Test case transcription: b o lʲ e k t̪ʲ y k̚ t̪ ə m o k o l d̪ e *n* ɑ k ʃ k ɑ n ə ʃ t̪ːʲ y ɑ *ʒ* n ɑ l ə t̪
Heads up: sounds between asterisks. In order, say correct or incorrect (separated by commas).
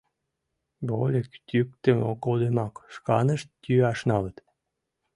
incorrect, incorrect